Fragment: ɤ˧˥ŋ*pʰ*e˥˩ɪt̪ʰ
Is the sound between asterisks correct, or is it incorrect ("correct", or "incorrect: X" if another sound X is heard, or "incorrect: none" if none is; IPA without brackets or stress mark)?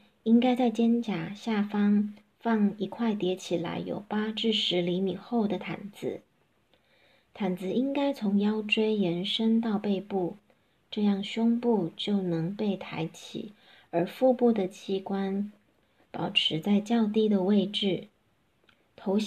incorrect: p